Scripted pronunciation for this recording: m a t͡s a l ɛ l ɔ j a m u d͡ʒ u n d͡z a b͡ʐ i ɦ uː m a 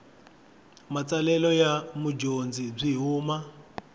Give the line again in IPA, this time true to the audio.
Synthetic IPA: m a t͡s a l ɛ l ɔ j a m u d͡ʒ o n d͡z i b͡ʐ i ɦ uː m a